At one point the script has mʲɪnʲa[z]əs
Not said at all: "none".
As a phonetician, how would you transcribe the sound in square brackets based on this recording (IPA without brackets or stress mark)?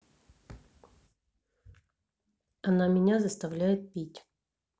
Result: z